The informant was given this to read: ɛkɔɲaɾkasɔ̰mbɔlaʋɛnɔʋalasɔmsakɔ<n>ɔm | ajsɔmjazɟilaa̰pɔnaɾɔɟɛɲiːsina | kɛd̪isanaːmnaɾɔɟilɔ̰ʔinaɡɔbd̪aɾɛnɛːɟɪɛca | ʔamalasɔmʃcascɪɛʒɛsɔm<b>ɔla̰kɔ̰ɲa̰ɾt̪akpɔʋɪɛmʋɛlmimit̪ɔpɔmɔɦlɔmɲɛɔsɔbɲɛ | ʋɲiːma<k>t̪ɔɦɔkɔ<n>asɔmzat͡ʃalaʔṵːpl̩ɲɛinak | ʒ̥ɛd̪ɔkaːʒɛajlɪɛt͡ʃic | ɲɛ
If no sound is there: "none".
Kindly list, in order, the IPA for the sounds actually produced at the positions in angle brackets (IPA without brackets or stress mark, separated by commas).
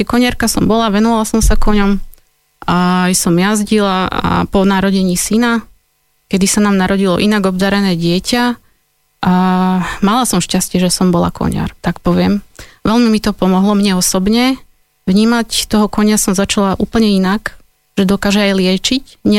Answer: ɲ, b, c, ɲ